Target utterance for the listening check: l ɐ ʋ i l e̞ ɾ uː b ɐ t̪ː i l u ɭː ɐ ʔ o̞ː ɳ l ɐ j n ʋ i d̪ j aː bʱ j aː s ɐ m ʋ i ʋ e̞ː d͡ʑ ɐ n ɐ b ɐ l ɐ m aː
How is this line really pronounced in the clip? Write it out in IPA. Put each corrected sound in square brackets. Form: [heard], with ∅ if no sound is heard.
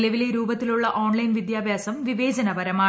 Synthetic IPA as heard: l ɐ ʋ i l e̞ ɾ uː b ɐ t̪ː i l u ɭː ɐ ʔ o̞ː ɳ l ɐ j n ʋ i d̪ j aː bʱ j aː s ɐ m ʋ i ʋ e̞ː d͡ʑ ɐ n ɐ b ɐ [ɾ] ɐ m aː

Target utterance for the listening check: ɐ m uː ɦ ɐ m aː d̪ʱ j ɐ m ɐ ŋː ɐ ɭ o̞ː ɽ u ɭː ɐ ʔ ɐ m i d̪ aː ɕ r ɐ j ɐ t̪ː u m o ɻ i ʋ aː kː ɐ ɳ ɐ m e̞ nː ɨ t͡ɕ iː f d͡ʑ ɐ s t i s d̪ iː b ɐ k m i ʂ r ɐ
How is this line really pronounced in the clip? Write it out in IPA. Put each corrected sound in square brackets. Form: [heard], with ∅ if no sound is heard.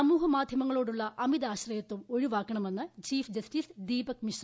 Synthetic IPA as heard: ɐ m uː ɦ ɐ m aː d̪ʱ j ɐ m ɐ ŋː ɐ ɭ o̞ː ɽ u ɭː ɐ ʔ ɐ m i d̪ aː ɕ r ɐ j ɐ t̪ː u m o ɻ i ʋ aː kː ɐ ɳ ɐ m e̞ nː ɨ t͡ɕ iː f d͡ʑ ɐ s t i s d̪ iː b ɐ k m i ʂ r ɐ

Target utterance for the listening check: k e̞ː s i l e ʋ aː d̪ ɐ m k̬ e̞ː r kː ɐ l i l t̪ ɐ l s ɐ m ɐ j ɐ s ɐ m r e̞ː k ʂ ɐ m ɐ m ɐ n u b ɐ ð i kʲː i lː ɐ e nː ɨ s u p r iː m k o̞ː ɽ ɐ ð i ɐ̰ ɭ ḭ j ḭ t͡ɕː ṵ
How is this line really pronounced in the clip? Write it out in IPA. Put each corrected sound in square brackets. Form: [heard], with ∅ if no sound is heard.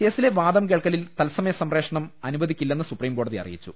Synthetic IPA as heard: k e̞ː s i l e ʋ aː d̪ ɐ m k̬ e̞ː [ɭ] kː ɐ l i l t̪ ɐ l s ɐ m ɐ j ɐ s ɐ m r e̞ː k ʂ ɐ [ɳ] ɐ m ɐ n u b ɐ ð i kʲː i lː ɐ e nː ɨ s u p r iː m k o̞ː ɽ ɐ ð i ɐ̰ [r] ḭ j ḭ t͡ɕː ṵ

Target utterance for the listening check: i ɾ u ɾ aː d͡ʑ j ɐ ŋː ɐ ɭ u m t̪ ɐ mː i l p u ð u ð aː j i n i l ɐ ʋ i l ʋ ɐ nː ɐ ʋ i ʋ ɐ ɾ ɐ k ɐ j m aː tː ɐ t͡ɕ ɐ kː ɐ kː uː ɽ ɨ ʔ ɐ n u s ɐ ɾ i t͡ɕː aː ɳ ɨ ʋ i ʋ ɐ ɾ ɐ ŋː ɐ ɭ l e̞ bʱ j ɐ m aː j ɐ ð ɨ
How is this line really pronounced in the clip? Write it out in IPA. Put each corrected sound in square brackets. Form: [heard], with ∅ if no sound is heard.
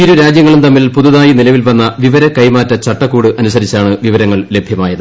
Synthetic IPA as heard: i ɾ u ɾ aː d͡ʑ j ɐ ŋː ɐ ɭ u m t̪ ɐ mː i l p u ð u ð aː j i n i l ɐ ʋ i l ʋ ɐ nː ɐ ʋ i ʋ ɐ ɾ ɐ k ɐ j m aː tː ɐ t͡ɕ ɐ [ʈː] ɐ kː uː ɽ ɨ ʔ ɐ n u s ɐ ɾ i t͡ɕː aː ɳ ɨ ʋ i ʋ ɐ ɾ ɐ ŋː ɐ ɭ l e̞ bʱ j ɐ m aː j ɐ ð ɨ

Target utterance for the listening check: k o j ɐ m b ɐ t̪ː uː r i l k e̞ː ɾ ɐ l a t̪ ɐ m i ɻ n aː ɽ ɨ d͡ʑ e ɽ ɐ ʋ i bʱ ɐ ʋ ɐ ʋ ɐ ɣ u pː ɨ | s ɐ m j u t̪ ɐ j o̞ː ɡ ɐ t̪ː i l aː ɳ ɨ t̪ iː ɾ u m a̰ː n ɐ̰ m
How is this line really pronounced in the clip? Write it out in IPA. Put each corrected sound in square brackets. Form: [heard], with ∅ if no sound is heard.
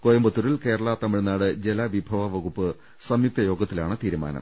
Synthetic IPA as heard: k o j ɐ m b ɐ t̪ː [u] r i l k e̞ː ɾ ɐ [ɭ] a t̪ ɐ m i ɻ n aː ɽ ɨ d͡ʑ e [l] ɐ ʋ i bʱ ɐ ʋ ɐ ʋ ɐ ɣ u pː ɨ | s ɐ m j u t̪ ɐ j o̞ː ɡ ɐ t̪ː i l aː ɳ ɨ t̪ iː ɾ u m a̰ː n ɐ̰ m

